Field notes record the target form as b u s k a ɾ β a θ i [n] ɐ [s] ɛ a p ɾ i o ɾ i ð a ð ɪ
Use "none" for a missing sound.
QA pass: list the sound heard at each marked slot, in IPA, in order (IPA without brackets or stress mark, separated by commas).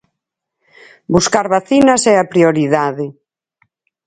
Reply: n, s